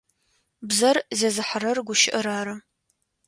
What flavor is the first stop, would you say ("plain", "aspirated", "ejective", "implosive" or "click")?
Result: plain